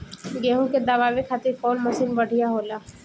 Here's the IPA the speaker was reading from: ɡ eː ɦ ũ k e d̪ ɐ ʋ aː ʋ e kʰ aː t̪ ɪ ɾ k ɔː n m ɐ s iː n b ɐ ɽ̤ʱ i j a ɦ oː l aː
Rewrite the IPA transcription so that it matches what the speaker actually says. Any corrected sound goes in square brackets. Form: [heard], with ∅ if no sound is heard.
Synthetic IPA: ɡ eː ɦ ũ k e d̪ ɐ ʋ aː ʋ e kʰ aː t̪ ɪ ɾ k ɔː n m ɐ s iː n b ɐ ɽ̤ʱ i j a ɦ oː l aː